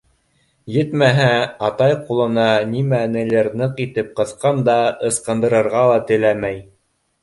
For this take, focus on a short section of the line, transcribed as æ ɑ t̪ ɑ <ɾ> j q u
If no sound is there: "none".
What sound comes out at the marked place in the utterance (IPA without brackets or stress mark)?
none